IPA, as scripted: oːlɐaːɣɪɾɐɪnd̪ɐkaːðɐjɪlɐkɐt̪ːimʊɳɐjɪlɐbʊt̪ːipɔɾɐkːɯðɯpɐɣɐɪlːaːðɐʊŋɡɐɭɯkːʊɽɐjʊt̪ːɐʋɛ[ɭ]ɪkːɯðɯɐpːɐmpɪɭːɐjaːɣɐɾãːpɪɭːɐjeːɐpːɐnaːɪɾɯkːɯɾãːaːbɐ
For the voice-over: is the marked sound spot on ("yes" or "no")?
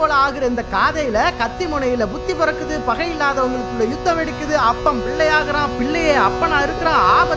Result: no